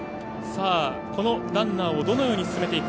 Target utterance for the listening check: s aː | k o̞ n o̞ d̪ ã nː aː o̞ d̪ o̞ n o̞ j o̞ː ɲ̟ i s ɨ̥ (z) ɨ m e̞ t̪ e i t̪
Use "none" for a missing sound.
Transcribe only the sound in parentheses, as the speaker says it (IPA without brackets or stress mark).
s